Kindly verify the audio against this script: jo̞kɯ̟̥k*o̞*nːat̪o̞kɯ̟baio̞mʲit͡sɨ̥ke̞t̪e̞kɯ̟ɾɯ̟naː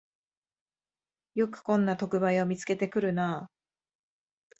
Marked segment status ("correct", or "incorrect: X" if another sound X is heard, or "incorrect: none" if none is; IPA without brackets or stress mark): incorrect: õ̞